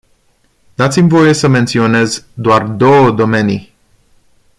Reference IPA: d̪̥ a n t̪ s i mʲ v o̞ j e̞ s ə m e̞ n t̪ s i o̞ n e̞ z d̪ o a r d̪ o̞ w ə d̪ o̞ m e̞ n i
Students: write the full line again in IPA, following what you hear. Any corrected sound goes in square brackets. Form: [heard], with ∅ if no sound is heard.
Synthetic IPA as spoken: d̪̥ a [∅] t̪ s i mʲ v o̞ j e̞ s ə m e̞ n t̪ s i o̞ n e̞ z d̪ o a r d̪ o̞ w ə d̪ o̞ m e̞ n i